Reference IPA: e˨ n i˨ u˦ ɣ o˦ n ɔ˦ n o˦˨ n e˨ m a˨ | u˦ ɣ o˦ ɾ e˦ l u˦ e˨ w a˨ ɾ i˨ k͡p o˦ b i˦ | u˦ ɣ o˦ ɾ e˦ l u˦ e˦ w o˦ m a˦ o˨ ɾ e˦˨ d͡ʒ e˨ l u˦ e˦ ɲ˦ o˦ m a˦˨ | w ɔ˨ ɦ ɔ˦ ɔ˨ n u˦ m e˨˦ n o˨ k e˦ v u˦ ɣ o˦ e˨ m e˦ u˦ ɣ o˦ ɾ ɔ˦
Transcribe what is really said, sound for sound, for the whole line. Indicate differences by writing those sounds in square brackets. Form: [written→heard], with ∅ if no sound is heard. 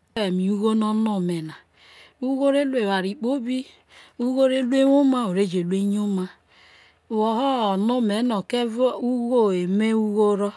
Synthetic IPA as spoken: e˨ [n→m] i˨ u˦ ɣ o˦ n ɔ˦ n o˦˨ [n→m] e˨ [m→n] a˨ | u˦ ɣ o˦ ɾ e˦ l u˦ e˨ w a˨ ɾ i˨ k͡p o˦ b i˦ | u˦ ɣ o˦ ɾ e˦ l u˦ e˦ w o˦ m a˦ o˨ ɾ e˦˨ d͡ʒ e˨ l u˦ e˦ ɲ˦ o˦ m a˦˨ | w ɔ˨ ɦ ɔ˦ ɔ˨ n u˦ m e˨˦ n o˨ k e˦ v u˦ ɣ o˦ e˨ m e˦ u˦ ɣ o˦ ɾ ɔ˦

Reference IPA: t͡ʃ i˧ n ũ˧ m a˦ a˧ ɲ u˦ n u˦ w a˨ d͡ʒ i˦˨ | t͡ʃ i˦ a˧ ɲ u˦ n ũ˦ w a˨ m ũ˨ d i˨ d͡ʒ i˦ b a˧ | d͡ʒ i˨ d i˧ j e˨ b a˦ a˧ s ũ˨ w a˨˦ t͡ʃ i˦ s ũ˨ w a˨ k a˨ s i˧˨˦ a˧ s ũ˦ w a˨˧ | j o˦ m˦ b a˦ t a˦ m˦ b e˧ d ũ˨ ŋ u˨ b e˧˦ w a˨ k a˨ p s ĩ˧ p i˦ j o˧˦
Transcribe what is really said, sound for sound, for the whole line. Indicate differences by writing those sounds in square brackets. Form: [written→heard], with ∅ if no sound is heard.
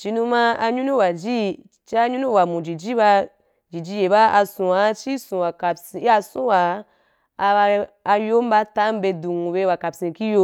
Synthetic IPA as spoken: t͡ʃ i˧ n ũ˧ m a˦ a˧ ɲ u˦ n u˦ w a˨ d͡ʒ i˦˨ | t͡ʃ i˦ a˧ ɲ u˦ n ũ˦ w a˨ m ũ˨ [d→d͡ʒ] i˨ d͡ʒ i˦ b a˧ | d͡ʒ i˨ [d→d͡ʒ] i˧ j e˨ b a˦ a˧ s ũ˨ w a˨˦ t͡ʃ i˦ s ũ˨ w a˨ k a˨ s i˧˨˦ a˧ s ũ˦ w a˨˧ | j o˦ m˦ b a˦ t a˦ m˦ b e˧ d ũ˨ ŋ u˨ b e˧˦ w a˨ k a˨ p s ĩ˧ [p→k] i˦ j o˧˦

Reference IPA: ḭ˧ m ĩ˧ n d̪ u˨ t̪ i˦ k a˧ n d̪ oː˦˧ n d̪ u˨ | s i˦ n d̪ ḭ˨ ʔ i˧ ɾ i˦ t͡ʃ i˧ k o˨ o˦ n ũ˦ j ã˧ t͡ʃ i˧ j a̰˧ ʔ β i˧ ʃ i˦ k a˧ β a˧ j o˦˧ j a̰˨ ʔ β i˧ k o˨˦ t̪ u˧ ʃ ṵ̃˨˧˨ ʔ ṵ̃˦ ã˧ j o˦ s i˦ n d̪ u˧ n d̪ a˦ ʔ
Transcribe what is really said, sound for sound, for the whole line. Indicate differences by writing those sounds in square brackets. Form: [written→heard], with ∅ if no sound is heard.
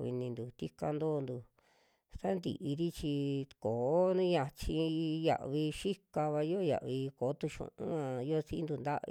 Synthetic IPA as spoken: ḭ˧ [m→n] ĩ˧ n d̪ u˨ t̪ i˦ k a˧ n d̪ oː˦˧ n d̪ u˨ | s [i˦→a˦] n d̪ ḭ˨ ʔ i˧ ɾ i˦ t͡ʃ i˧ k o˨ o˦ n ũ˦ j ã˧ t͡ʃ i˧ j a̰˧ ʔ β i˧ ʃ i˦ k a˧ β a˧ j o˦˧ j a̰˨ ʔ β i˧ k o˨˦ t̪ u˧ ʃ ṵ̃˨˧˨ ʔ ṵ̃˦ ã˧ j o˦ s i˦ n d̪ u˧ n d̪ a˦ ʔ

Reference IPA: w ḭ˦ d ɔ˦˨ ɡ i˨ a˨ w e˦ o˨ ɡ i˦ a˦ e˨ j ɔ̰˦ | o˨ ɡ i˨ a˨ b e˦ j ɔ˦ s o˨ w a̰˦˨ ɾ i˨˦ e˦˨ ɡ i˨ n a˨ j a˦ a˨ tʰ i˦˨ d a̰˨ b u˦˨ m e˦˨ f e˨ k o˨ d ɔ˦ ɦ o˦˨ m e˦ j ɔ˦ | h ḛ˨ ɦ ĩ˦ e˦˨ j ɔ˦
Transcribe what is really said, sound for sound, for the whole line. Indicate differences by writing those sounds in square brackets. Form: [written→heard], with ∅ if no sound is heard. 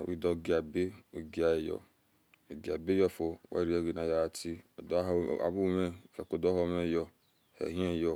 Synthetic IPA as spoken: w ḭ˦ d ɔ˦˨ ɡ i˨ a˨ [w→b] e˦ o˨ ɡ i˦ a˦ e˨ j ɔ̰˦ | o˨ ɡ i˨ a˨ b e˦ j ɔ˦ [s→f] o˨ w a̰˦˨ ɾ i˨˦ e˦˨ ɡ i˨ n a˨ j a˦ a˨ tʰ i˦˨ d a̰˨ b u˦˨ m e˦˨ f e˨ k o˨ d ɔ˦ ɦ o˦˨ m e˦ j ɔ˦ | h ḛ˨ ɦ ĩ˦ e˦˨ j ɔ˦

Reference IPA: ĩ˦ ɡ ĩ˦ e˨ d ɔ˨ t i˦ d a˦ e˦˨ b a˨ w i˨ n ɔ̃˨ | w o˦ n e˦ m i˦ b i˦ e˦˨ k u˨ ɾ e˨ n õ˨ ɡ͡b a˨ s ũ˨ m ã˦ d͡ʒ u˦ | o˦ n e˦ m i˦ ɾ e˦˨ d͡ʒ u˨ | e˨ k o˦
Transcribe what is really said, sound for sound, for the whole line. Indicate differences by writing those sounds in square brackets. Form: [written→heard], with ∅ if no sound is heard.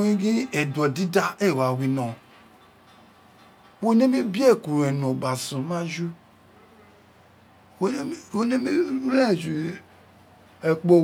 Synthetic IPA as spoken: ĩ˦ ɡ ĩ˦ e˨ d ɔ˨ [t→d] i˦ d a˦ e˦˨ [b→w] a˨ w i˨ n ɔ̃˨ | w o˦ n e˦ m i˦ b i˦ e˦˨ k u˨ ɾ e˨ n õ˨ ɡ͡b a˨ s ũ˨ m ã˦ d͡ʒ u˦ | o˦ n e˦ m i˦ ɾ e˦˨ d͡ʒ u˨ | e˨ [k→k͡p] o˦

